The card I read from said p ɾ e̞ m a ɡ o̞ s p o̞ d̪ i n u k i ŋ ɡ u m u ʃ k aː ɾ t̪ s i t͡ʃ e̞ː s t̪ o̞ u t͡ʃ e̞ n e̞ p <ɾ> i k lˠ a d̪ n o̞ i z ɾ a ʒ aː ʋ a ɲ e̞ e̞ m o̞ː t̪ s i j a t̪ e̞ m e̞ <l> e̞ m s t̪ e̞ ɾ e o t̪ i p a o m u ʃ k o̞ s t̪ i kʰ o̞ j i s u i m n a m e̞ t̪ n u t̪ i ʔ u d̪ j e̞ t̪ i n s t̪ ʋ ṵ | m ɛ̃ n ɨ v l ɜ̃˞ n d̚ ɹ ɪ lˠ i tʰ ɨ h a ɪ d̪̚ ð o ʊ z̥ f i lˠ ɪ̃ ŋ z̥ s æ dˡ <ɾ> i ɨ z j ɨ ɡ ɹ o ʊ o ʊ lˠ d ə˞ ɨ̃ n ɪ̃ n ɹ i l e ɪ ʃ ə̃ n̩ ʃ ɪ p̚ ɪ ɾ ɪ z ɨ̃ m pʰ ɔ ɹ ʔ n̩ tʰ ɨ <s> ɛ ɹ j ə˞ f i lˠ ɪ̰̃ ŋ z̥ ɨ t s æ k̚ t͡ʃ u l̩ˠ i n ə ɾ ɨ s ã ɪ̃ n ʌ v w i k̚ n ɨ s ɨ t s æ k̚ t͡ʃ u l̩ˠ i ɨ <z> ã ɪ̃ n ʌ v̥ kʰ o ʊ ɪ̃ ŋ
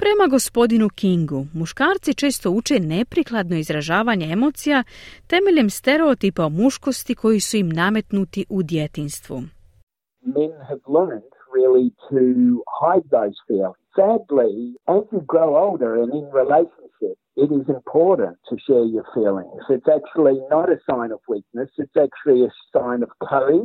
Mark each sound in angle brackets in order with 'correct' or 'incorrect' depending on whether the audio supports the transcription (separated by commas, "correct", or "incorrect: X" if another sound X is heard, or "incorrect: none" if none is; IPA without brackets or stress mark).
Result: correct, incorrect: ʎ, incorrect: l, incorrect: ʃ, incorrect: s